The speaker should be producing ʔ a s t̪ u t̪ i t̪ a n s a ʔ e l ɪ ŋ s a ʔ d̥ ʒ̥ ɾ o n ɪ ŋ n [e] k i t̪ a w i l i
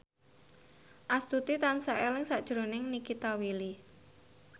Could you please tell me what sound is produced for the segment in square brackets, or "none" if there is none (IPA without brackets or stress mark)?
i